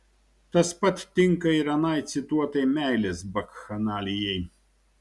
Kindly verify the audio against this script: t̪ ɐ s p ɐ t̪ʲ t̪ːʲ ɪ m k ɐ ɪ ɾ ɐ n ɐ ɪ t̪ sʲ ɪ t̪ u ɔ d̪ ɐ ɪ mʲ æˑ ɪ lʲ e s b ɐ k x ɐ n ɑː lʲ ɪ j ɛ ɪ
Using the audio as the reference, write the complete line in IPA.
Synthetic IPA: t̪ ɐ s p ɐ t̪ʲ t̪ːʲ ɪ ŋ k ɐ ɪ ɾ ɐ n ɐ ɪ t̪ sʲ ɪ t̪ u ɔ t̪ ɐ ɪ mʲ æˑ ɪ lʲ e s b ɐ k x ɐ n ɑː lʲ ɪ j ɛ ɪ